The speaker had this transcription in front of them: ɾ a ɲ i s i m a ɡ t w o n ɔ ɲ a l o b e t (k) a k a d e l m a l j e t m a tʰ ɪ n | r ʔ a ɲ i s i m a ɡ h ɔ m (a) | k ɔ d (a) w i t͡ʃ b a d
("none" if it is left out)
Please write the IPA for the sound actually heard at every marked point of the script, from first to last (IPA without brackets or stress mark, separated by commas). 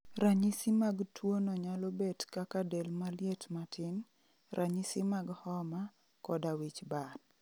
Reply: k, a, a